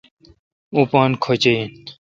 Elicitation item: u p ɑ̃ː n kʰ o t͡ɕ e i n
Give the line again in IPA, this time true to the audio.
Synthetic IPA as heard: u p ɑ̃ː n kʰ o t͡ɕ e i n